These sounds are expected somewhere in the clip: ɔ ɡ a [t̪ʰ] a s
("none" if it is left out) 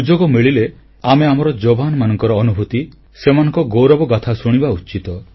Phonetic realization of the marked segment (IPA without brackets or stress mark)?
t̪ʰ